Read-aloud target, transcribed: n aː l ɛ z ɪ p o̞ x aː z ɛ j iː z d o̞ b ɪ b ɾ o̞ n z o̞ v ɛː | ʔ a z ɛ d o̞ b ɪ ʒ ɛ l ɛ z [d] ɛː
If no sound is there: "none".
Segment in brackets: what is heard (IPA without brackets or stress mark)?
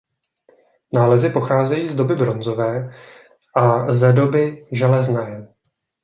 n